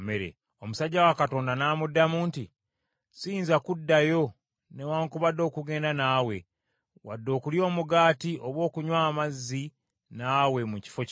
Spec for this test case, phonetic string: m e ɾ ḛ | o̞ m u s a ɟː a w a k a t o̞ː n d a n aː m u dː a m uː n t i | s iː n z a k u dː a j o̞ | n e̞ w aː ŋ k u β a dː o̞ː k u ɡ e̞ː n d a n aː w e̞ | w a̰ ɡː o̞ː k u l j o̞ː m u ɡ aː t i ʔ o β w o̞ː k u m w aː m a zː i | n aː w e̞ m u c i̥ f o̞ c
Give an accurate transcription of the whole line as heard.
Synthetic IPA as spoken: m e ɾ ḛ | o̞ m u s a ɟː a w a k a t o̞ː n d a n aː m u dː a m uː n t i | s iː n z a k u dː a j o̞ | n e̞ w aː ŋ k u β a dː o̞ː k u ɡ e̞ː n d a n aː w e̞ | w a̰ dː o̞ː k u l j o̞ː m u ɡ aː t i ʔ o β w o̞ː k u ɲ w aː m a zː i | n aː w e̞ m u c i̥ f o̞ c